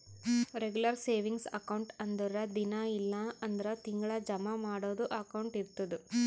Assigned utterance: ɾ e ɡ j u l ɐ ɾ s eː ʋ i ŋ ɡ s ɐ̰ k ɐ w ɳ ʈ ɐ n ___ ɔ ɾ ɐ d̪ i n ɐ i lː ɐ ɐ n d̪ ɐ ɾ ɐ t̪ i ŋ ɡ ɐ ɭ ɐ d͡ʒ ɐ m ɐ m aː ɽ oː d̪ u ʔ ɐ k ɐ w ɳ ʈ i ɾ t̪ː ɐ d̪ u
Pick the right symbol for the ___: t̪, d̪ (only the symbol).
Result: d̪